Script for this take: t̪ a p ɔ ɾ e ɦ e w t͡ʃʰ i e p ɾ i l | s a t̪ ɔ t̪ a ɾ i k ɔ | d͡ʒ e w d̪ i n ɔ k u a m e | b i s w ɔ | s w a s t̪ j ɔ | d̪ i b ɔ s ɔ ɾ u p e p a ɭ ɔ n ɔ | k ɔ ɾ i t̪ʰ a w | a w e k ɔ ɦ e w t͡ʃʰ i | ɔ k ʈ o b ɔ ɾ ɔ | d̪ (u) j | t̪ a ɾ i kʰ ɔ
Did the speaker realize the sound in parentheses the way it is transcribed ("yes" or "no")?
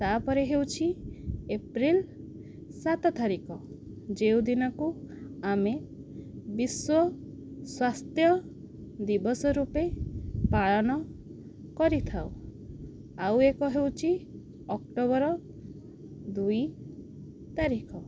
yes